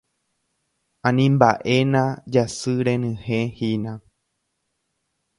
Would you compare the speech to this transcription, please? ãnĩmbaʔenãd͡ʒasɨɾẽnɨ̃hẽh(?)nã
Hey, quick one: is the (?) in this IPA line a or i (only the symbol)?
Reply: i